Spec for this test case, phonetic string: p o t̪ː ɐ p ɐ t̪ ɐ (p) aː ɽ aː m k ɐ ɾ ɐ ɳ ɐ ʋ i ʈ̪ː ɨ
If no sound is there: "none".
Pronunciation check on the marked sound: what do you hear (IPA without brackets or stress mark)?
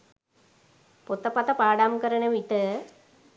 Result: p